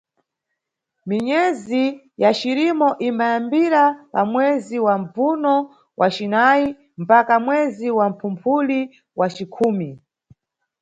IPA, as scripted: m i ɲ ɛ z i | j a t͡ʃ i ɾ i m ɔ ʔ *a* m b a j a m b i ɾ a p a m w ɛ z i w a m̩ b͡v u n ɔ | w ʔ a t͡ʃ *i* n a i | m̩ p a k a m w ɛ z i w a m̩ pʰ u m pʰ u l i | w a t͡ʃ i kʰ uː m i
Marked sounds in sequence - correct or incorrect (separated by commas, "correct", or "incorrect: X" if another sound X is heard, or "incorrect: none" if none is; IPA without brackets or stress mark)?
incorrect: i, correct